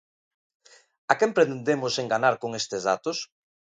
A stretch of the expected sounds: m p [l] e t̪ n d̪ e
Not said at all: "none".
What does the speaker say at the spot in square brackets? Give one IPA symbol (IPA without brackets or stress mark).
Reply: ɾ